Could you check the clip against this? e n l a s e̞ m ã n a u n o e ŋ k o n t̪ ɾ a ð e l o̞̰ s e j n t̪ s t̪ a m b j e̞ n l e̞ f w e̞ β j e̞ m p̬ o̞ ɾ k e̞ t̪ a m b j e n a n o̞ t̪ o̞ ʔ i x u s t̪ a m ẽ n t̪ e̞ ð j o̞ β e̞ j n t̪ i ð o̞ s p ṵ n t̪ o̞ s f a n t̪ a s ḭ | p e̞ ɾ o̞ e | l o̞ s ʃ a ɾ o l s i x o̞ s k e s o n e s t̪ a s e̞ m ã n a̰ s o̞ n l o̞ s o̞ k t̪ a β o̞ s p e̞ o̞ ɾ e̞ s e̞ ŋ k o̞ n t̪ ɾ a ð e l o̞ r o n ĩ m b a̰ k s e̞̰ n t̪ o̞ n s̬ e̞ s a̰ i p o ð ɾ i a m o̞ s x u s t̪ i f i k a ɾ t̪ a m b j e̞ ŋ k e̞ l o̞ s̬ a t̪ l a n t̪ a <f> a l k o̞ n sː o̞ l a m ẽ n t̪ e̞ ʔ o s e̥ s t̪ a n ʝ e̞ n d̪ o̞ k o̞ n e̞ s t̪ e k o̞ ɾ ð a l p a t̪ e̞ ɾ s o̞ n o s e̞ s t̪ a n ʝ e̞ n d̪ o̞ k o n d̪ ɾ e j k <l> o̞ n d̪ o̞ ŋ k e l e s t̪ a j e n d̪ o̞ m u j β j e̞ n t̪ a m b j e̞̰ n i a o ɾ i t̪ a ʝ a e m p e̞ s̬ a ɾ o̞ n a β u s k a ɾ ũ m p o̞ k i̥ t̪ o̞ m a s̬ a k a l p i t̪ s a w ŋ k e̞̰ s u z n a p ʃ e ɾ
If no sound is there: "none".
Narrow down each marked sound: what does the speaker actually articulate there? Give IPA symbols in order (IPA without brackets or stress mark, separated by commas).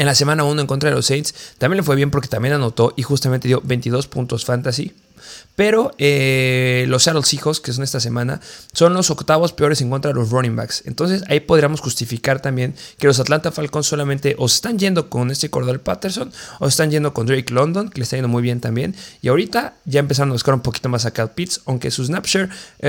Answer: f, l